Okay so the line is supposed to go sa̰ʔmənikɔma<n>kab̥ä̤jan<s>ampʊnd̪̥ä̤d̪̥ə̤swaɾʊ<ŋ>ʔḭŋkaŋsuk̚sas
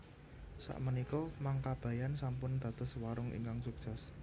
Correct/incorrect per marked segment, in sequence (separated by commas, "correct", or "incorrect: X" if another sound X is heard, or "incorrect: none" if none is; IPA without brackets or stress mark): incorrect: ŋ, correct, correct